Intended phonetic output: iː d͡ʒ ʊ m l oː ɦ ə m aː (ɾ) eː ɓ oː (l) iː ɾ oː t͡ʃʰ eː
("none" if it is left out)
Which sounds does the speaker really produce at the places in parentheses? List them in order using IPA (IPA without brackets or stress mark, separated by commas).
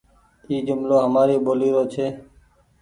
ɾ, l